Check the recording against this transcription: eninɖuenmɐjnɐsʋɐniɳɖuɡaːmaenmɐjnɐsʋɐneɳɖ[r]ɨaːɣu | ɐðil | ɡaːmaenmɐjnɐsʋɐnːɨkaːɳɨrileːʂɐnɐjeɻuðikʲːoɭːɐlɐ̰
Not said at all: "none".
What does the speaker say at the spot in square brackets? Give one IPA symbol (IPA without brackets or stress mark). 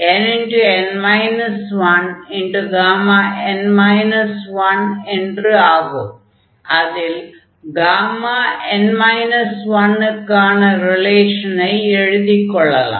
r